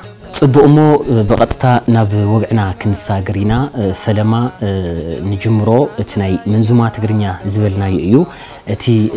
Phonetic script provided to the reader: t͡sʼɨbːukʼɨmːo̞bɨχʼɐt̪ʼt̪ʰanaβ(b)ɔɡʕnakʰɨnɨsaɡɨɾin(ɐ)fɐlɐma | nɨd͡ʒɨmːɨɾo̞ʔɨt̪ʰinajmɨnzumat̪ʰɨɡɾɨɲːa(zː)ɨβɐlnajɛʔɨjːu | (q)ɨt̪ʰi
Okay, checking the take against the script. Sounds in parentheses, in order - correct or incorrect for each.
incorrect, incorrect, incorrect, incorrect

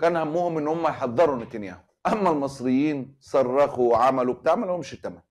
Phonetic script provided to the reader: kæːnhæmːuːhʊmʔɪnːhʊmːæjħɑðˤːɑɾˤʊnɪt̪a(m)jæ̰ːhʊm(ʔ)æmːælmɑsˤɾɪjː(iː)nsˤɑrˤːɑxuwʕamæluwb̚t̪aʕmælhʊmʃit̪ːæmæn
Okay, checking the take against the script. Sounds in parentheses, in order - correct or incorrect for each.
incorrect, correct, correct

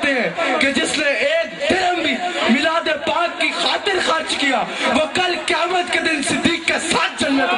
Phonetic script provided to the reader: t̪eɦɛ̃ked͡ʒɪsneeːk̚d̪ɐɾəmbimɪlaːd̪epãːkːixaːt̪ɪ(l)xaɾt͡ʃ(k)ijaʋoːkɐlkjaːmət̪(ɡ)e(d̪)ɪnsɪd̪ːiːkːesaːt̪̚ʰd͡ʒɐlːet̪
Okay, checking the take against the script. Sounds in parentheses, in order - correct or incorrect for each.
incorrect, correct, incorrect, correct

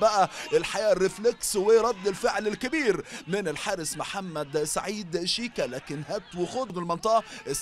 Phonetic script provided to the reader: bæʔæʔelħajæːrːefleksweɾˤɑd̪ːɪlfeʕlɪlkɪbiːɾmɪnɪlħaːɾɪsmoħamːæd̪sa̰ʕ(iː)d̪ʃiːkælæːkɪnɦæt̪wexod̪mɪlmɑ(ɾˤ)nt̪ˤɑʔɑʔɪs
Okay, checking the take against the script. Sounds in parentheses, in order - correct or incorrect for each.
correct, incorrect

